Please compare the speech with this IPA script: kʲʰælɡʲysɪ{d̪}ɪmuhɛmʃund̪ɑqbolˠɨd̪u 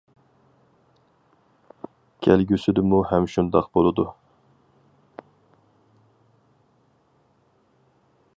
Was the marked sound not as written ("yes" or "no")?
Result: no